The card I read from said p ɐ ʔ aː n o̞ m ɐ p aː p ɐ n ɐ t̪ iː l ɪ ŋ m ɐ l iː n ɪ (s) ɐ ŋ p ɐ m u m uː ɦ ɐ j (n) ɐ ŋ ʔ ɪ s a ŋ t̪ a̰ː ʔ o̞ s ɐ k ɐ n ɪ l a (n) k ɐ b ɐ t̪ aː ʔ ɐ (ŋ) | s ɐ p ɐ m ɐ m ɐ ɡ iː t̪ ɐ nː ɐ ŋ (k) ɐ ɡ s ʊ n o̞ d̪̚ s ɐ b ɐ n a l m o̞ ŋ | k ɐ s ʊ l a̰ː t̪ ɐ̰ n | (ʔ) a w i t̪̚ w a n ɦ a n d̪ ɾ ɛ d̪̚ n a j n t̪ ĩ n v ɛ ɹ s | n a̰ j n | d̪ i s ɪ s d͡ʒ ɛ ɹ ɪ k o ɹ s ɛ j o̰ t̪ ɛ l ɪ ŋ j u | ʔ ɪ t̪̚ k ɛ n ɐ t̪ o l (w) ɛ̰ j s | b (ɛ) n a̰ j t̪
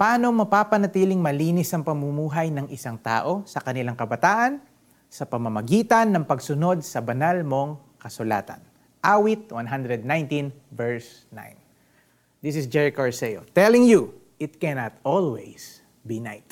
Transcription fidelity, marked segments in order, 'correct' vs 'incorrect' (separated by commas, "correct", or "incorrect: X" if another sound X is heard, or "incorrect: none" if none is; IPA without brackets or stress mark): correct, correct, incorrect: ŋ, incorrect: n, incorrect: p, correct, correct, incorrect: i